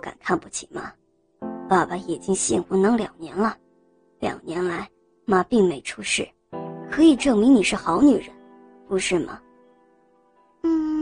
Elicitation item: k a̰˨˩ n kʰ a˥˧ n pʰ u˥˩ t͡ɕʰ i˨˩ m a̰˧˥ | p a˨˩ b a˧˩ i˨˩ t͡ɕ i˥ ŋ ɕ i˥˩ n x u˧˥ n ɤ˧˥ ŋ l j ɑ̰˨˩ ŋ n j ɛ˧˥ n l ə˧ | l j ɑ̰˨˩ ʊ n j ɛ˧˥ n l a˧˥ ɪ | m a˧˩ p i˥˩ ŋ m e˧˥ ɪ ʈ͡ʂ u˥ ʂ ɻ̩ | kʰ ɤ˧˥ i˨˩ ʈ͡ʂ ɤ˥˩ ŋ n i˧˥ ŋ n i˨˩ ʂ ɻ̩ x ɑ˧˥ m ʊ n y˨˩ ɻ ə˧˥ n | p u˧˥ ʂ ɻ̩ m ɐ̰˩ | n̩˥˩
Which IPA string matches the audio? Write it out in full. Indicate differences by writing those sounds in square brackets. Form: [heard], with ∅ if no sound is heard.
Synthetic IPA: k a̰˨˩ n kʰ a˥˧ n [p] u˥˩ t͡ɕʰ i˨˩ m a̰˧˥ | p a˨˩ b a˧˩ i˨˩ t͡ɕ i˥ ŋ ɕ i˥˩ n x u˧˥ n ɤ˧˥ ŋ l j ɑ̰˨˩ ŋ n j ɛ˧˥ n l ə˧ | l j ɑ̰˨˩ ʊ n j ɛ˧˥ n l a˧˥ ɪ | m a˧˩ p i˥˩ ŋ m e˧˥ ɪ [ʈ͡ʂʰ] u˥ ʂ ɻ̩ | kʰ ɤ˧˥ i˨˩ ʈ͡ʂ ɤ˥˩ ŋ [m] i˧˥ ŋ n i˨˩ ʂ ɻ̩ x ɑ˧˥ [∅] ʊ n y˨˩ ɻ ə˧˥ n | p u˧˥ ʂ ɻ̩ m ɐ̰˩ | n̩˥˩